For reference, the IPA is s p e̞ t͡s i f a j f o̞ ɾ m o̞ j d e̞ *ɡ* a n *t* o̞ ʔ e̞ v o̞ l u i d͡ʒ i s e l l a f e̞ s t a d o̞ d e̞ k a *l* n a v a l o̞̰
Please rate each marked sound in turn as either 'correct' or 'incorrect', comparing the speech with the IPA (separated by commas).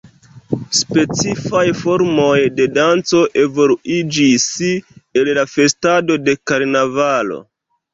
incorrect, incorrect, incorrect